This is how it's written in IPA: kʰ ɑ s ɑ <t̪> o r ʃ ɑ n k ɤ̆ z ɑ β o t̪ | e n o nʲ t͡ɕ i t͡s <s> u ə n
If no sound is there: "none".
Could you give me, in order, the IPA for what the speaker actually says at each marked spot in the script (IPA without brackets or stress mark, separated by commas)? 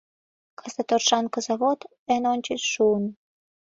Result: t̪, ʃ